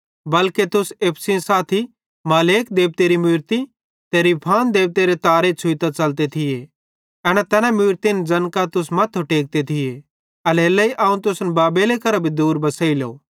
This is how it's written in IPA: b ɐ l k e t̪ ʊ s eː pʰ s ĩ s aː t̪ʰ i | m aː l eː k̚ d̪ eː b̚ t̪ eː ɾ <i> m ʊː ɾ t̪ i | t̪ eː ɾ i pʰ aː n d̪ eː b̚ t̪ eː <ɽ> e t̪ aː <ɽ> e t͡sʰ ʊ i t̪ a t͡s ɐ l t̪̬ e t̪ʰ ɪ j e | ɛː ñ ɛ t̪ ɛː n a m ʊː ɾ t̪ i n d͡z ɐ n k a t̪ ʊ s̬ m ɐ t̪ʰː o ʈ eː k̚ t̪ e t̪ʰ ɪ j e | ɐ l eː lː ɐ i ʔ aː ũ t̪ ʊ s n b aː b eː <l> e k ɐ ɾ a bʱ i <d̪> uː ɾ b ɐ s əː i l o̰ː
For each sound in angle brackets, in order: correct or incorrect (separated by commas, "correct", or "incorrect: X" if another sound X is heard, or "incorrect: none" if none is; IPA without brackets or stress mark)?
correct, incorrect: ɾ, incorrect: ɾ, correct, correct